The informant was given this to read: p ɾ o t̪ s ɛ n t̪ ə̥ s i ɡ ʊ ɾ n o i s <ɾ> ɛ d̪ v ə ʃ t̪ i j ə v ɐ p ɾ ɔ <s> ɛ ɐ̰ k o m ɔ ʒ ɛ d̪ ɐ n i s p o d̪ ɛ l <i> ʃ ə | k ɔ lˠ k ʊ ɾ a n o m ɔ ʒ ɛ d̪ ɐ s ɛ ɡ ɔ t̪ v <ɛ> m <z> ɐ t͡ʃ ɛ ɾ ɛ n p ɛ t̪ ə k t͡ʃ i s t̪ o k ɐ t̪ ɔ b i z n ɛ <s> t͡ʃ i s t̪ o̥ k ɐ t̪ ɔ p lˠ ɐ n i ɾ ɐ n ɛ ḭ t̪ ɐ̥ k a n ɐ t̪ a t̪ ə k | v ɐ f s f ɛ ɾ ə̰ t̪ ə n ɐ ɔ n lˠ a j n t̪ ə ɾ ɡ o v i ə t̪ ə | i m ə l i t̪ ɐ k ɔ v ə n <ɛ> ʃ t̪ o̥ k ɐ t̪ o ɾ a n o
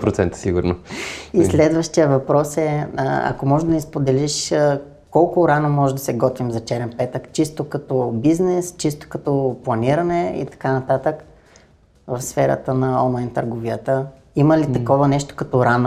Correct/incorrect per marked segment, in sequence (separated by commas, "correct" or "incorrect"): incorrect, correct, correct, incorrect, correct, correct, correct